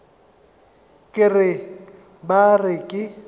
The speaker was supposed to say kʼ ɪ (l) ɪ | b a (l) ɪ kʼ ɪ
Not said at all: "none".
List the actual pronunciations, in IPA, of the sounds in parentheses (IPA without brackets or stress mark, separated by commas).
r, r